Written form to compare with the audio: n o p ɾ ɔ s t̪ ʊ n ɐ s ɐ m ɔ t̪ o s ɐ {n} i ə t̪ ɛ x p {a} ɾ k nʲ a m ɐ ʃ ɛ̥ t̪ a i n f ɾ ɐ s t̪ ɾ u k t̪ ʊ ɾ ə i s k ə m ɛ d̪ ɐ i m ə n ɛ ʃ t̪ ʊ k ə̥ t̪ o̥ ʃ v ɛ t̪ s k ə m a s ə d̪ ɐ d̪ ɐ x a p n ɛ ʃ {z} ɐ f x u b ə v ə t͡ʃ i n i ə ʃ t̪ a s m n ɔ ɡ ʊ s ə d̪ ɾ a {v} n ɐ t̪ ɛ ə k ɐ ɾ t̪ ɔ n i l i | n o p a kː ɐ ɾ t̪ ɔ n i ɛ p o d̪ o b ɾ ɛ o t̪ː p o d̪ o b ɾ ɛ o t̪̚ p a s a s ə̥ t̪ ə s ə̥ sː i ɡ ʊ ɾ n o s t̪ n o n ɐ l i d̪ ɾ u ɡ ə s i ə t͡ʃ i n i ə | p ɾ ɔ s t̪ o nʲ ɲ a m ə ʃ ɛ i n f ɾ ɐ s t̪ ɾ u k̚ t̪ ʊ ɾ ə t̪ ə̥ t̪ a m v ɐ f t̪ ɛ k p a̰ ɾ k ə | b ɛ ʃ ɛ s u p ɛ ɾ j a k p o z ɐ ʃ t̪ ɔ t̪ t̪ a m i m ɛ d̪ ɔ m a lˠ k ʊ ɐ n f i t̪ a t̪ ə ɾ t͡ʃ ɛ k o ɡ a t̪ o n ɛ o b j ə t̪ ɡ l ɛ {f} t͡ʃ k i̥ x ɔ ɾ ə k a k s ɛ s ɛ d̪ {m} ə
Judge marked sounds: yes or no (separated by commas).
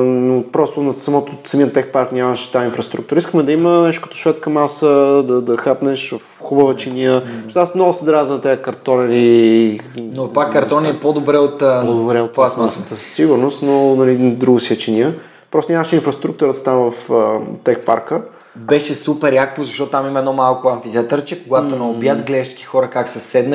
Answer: no, yes, no, no, no, no